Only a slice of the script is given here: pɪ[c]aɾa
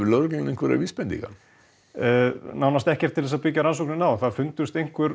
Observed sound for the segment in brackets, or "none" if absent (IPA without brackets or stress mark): c